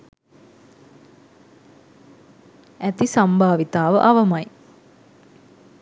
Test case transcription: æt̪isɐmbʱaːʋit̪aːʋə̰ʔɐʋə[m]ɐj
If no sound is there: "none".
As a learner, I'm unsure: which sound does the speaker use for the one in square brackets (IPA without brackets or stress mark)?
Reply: m